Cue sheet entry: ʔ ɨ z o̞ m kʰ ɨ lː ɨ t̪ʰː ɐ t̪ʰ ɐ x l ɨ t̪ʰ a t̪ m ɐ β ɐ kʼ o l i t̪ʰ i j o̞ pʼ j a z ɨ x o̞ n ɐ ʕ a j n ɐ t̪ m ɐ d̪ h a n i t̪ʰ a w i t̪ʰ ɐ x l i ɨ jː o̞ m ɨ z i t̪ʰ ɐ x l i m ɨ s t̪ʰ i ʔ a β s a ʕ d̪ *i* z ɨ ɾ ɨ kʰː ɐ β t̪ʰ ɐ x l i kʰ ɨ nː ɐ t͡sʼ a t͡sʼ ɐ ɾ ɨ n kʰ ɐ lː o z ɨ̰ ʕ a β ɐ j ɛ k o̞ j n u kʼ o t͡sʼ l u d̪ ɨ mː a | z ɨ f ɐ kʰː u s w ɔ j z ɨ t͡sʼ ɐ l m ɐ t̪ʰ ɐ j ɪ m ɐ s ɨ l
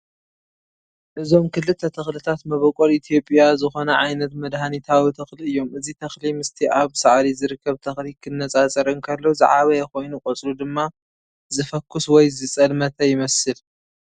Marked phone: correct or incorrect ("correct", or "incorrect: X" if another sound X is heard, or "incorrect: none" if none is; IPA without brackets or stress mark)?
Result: correct